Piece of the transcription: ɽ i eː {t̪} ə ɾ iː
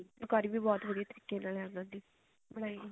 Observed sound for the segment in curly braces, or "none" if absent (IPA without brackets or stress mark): t̪